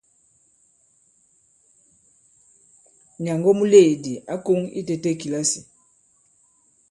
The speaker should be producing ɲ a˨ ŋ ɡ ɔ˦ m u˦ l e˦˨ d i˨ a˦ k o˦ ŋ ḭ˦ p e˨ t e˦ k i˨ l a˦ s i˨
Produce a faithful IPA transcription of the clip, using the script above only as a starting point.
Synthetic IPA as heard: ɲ a˨ ŋ ɡ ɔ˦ m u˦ l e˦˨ d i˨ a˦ k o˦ ŋ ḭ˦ t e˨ t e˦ k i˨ l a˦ s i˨